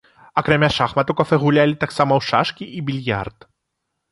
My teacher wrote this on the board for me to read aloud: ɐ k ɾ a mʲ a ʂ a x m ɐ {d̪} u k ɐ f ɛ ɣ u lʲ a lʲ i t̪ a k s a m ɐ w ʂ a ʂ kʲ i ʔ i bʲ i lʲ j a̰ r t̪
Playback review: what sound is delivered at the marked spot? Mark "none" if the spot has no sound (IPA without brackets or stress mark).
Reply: t̪